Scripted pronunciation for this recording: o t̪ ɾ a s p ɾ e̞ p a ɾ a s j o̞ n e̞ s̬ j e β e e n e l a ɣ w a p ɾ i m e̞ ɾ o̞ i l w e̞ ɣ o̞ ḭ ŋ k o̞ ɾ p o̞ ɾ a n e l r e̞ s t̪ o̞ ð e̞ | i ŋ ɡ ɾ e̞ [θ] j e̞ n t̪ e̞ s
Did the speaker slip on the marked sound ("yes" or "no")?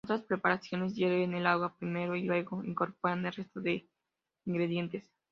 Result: yes